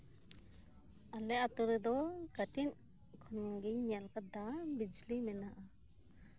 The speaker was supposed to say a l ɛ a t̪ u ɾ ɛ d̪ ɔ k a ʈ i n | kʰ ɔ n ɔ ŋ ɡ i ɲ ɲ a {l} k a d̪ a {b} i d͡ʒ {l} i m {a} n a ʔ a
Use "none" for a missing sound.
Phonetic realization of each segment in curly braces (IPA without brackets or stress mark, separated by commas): l, b, l, ɛ